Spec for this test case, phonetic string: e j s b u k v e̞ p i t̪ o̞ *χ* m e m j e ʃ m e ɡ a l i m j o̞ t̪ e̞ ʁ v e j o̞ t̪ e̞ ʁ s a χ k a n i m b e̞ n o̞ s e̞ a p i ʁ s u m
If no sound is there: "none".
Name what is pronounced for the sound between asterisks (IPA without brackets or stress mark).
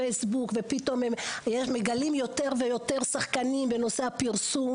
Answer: none